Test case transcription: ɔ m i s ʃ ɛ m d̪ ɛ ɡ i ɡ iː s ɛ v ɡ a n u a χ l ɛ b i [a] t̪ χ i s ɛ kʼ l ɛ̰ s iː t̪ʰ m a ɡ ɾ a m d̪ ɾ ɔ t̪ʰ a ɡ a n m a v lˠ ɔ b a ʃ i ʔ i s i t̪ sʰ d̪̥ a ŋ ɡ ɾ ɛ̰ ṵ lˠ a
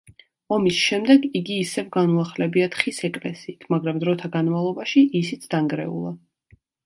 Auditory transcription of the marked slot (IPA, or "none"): a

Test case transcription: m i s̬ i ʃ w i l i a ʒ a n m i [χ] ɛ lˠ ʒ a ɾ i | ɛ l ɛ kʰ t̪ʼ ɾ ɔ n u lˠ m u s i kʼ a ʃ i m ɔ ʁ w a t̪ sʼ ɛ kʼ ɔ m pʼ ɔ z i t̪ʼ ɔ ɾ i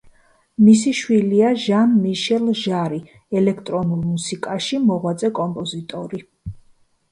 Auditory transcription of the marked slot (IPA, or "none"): ʃ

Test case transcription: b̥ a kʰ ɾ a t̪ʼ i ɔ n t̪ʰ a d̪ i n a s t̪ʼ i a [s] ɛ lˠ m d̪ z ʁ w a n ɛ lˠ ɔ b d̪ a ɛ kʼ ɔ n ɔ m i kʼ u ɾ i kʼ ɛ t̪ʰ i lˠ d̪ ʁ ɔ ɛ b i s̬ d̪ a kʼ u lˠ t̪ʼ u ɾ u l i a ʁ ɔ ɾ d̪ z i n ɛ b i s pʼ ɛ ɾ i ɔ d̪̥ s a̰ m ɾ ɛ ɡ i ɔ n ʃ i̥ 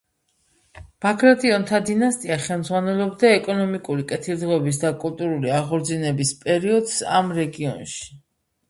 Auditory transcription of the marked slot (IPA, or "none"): χ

